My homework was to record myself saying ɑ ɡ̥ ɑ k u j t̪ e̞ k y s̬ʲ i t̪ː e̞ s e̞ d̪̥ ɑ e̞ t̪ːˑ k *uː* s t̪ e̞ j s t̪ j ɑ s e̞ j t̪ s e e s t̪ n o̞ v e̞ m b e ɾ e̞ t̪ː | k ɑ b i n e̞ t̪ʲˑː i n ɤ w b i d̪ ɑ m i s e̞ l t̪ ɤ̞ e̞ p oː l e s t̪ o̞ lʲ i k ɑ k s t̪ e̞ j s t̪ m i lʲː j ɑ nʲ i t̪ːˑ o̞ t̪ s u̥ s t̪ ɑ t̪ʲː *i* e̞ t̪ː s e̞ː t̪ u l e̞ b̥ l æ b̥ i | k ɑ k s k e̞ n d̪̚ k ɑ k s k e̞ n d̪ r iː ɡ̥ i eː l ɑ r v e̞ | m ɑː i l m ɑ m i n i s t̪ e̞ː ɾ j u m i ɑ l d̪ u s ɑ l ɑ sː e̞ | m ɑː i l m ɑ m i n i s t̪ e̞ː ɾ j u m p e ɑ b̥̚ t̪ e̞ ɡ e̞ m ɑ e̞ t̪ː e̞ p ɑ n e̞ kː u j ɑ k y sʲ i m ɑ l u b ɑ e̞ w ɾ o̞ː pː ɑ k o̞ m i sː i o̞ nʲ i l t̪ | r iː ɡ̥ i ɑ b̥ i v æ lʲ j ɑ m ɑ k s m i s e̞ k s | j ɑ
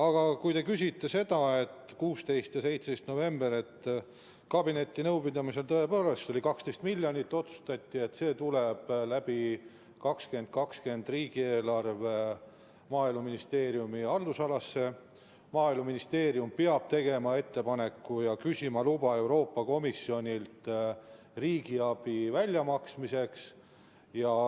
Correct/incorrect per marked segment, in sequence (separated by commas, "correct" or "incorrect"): correct, correct